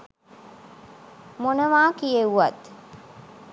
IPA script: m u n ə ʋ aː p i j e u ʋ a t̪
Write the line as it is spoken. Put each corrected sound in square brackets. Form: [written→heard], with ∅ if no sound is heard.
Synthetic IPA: m [u→o] n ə ʋ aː [p→k] i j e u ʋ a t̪